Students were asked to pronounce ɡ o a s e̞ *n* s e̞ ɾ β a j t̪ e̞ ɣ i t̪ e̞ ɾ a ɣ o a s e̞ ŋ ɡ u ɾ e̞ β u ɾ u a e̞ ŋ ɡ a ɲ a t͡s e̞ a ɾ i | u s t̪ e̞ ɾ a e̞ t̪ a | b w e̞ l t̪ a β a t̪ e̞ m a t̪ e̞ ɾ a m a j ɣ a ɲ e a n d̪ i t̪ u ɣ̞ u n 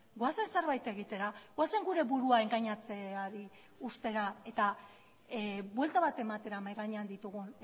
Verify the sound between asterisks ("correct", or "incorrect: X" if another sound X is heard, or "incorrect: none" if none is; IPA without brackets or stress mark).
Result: correct